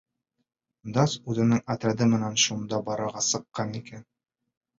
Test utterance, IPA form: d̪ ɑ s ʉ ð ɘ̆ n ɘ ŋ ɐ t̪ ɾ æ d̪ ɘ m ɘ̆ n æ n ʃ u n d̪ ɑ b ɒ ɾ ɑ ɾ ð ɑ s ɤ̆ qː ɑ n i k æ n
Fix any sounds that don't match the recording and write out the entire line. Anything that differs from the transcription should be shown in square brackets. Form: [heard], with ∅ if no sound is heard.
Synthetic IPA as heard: d̪ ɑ s ʉ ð ɘ̆ n ɘ ŋ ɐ t̪ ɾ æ d̪ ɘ m ɘ̆ n æ n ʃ u n d̪ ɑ b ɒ ɾ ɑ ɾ [ʁ] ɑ s ɤ̆ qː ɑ n i k æ n